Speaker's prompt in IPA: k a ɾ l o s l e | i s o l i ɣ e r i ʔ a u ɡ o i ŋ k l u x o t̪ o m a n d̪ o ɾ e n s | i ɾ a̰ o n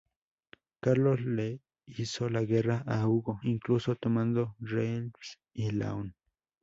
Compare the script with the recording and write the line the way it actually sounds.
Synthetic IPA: k a ɾ l o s l e | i s o l a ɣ e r a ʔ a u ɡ o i ŋ k l u s o t̪ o m a n d̪ o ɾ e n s | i l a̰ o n

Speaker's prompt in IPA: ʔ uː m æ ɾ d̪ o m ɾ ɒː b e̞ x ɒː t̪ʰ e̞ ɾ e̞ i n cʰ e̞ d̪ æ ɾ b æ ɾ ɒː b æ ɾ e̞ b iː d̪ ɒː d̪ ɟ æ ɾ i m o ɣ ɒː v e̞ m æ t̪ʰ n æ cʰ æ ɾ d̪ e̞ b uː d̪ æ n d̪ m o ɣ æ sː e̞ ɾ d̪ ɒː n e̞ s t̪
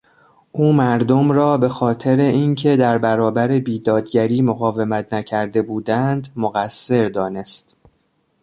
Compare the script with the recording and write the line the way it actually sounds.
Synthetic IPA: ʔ uː m æ ɾ d̪ o m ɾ ɒː b e̞ x ɒː t̪ʰ e̞ ɾ e̞ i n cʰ e̞ d̪ æ ɾ b æ ɾ ɒː b æ ɾ e̞ b iː d̪ ɒː d̪ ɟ æ ɾ iː m o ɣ ɒː v e̞ m æ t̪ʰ n æ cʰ æ ɾ d̪ e̞ b uː d̪ æ n d̪ m o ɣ æ sː e̞ ɾ d̪ ɒː n e̞ s t̪

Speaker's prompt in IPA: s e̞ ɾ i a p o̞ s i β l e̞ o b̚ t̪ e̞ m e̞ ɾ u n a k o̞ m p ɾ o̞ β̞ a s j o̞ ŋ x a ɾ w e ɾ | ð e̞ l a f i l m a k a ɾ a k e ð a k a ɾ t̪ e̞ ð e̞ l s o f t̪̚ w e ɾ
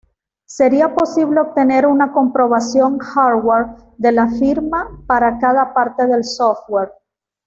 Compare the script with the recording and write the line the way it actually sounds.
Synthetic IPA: s e̞ ɾ i a p o̞ s i β l e̞ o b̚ t̪ e̞ n e̞ ɾ u n a k o̞ m p ɾ o̞ β̞ a s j o̞ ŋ x a ɾ w e ɾ | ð e̞ l a f i ɾ m a p a ɾ a k a ð a p a ɾ t̪ e̞ ð e̞ l s o f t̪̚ w e ɾ

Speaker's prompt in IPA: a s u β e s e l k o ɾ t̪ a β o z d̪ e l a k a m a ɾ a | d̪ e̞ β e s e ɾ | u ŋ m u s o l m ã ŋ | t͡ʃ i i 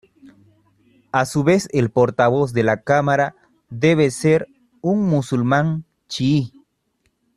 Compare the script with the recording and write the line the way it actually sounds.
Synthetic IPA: a s u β e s e l p o ɾ t̪ a β o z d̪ e l a k a m a ɾ a | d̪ e̞ β e s e ɾ | u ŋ m u s u l m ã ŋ | t͡ʃ i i

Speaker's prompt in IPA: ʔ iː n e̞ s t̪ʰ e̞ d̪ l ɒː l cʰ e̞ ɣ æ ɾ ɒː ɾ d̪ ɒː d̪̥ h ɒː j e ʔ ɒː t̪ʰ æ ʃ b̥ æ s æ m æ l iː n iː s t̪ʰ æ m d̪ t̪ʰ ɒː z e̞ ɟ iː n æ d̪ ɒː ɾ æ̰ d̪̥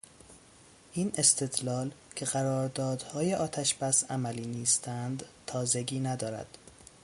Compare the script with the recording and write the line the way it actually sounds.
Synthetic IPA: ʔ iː n e̞ s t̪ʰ e̞ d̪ l ɒː l cʰ e̞ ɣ æ ɾ ɒː ɾ d̪ ɒː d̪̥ h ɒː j e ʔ ɒː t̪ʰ æ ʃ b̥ æ s æ m æ l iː n iː s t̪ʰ æ n d̪ t̪ʰ ɒː z e̞ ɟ iː n æ d̪ ɒː ɾ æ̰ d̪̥

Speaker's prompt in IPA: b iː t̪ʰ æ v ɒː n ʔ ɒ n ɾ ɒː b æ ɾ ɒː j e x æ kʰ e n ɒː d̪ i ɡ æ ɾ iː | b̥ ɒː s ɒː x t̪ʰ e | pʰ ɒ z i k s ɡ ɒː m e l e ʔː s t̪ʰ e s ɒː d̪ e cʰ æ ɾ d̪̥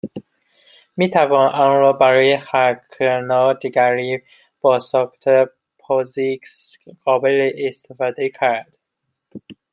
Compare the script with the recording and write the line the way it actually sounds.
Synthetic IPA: m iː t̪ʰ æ v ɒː n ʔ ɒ n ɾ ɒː b æ ɾ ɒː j e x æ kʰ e n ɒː d̪ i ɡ æ ɾ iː | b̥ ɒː s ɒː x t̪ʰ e | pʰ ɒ z i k s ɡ ɒː b e l e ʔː s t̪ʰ e f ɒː d̪ e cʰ æ ɾ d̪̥

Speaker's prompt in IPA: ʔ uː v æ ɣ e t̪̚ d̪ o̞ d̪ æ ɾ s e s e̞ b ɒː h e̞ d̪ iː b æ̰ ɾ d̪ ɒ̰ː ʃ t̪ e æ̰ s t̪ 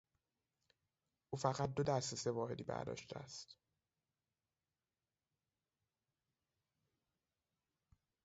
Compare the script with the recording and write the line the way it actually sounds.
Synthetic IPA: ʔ uː f æ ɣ æ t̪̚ d̪ o̞ d̪ æ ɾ s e s e̞ v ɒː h e̞ d̪ iː b æ̰ ɾ d̪ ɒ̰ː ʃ t̪ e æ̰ s t̪

